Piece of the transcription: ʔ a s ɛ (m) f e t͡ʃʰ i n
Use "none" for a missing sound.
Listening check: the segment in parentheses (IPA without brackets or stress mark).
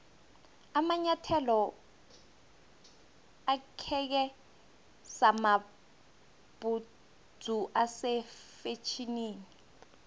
none